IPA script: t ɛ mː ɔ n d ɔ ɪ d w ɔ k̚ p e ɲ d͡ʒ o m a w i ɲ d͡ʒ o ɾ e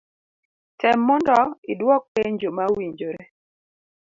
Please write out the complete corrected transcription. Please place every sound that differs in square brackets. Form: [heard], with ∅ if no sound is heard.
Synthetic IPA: t ɛ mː ɔ n d ɔ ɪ d w ɔ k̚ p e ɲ d͡ʒ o m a w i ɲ d͡ʒ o ɾ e